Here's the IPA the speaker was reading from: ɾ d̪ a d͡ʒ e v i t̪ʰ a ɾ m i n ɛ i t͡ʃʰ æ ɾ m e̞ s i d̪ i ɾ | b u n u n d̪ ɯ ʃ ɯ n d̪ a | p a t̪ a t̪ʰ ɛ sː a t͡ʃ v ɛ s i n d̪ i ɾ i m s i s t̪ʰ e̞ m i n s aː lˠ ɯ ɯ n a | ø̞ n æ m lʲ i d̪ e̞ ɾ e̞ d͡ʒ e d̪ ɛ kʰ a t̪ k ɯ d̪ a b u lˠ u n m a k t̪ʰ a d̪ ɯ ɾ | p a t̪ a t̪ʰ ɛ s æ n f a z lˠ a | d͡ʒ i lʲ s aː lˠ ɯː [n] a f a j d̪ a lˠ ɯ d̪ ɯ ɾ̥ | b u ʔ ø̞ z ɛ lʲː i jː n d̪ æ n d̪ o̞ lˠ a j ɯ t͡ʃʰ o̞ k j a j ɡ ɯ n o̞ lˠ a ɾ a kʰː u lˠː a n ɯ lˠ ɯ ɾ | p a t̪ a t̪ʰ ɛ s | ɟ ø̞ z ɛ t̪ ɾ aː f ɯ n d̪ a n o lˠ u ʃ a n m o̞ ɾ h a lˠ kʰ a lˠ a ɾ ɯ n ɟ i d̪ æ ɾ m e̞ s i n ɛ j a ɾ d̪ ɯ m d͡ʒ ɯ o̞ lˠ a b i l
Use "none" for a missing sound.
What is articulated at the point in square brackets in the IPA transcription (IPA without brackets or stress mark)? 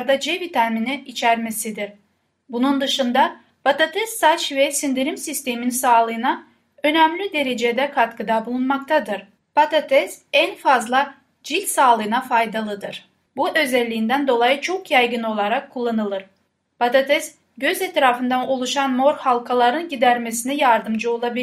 n